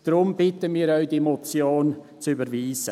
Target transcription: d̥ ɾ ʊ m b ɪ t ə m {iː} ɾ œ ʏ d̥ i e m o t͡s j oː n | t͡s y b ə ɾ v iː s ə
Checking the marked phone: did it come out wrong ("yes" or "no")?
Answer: no